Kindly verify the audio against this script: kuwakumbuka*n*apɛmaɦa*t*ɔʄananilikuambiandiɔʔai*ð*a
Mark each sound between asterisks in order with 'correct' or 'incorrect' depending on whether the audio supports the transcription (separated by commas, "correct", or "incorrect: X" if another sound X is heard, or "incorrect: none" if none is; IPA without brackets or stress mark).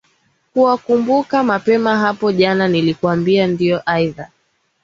incorrect: m, incorrect: p, correct